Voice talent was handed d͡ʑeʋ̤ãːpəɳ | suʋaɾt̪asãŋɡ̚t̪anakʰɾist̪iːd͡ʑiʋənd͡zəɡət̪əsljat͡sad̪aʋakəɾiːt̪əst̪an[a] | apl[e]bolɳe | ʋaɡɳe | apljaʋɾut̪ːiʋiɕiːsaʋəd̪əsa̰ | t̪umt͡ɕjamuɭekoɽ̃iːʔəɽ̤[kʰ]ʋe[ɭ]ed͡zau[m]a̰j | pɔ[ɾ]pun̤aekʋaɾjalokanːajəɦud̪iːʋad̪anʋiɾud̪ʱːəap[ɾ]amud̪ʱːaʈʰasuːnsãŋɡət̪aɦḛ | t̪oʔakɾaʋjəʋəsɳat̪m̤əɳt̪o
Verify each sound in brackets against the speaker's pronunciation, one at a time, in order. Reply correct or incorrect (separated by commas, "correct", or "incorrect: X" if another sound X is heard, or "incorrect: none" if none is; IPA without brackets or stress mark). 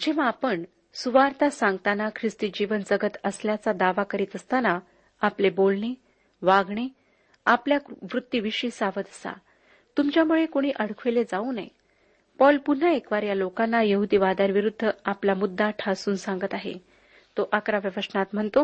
correct, correct, correct, incorrect: l, incorrect: n, incorrect: l, incorrect: l